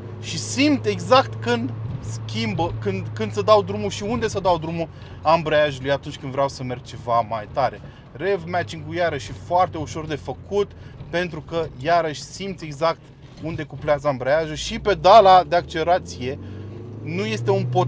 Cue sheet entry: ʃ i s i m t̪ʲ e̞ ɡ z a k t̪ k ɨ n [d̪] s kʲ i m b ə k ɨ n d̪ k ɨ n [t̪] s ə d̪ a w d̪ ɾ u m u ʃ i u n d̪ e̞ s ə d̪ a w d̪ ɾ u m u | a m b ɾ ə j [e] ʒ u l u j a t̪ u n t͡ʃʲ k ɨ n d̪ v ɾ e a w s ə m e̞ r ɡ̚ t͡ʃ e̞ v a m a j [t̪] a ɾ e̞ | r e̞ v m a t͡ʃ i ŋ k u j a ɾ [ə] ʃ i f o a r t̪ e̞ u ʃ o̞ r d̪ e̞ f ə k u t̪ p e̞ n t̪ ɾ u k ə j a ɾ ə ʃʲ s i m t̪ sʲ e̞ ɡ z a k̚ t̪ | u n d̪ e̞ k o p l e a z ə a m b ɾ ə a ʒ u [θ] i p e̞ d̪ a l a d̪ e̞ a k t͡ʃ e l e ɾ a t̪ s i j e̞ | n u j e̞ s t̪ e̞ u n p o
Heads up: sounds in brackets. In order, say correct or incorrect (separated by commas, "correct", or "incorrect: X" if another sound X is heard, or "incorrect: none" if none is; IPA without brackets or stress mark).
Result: correct, incorrect: d̪, incorrect: a, correct, correct, incorrect: ʃ